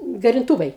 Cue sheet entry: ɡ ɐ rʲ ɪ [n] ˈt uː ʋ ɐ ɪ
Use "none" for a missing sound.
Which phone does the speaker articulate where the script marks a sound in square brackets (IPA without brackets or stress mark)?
n